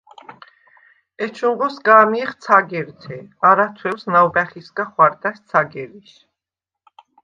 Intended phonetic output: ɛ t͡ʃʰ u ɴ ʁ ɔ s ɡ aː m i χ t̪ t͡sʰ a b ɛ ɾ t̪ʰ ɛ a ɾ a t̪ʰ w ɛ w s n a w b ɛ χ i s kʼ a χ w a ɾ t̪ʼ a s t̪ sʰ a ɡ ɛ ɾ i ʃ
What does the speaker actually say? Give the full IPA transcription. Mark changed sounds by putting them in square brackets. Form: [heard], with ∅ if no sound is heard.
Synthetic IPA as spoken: ɛ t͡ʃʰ u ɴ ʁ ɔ s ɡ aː m i χ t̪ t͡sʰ a [ɡ] ɛ ɾ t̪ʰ ɛ a ɾ a t̪ʰ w ɛ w s n a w b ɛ χ i s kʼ a χ w a ɾ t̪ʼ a s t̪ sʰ a ɡ ɛ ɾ i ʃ